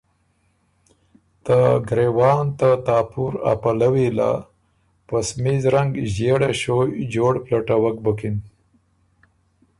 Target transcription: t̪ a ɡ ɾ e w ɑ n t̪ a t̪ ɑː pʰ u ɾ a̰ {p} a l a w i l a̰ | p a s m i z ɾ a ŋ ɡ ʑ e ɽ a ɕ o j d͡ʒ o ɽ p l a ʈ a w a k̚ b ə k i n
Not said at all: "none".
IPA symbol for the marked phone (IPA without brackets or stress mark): p